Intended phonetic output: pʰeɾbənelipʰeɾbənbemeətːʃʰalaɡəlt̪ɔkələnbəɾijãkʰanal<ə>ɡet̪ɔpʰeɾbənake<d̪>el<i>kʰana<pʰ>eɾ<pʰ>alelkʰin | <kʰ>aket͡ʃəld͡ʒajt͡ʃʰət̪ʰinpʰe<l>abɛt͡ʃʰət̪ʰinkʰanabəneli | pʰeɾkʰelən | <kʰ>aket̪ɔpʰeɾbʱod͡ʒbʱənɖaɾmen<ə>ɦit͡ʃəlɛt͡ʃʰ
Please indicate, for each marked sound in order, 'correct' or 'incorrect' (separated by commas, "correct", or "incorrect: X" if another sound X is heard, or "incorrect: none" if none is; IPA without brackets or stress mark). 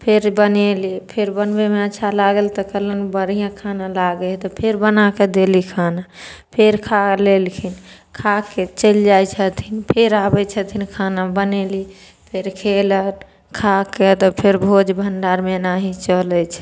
incorrect: a, correct, correct, correct, incorrect: kʰ, correct, incorrect: ɾ, correct, incorrect: a